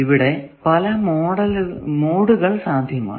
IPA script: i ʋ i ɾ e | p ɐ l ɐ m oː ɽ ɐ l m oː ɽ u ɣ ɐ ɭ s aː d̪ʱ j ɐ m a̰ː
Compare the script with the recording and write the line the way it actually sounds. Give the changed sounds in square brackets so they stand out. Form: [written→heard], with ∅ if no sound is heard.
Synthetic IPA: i ʋ i [ɾ→ɽ] e | p ɐ l ɐ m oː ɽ ɐ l m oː ɽ u ɣ ɐ ɭ s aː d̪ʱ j ɐ m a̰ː